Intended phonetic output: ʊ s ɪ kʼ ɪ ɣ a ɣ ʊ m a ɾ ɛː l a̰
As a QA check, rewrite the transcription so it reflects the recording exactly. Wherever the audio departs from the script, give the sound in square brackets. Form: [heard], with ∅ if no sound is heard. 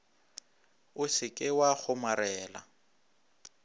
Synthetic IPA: ʊ s ɪ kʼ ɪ [w] a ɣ ʊ m a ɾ ɛː l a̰